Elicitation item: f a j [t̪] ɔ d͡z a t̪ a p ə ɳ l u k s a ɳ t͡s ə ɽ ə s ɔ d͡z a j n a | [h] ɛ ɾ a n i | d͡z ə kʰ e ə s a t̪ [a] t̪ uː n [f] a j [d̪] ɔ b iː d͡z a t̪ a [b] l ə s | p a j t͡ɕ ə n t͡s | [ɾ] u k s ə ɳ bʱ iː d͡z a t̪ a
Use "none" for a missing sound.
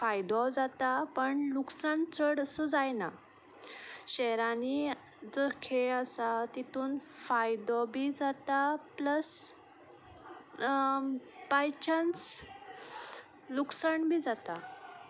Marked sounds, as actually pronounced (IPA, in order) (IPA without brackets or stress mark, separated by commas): d̪, ɕ, i, f, d̪, p, l